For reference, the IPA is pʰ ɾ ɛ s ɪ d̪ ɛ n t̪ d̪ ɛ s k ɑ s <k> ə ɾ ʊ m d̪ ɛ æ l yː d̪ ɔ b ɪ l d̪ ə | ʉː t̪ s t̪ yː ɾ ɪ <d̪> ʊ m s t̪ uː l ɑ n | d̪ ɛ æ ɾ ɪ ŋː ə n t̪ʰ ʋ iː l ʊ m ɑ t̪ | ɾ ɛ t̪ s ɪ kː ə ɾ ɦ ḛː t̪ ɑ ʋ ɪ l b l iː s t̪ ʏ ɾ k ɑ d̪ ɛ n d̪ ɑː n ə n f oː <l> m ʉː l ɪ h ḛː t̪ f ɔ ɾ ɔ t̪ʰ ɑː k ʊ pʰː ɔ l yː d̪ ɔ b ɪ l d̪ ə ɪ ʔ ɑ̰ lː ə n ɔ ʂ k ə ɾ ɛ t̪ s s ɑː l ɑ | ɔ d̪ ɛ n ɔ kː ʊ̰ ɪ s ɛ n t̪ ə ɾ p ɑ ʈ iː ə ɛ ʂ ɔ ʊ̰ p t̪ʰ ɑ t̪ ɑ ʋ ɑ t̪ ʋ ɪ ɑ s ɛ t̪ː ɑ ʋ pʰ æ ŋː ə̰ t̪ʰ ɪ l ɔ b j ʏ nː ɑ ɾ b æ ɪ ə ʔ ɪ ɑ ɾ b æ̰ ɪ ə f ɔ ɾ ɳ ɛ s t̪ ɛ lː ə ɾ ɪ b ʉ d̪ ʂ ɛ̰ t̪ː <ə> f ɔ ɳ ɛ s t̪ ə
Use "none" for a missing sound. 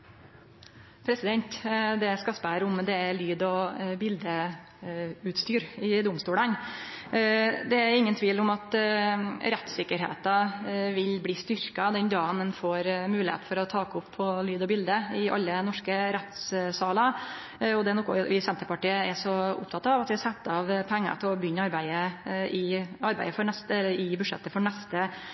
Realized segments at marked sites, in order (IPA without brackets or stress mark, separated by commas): p, d̪, ɾ, ə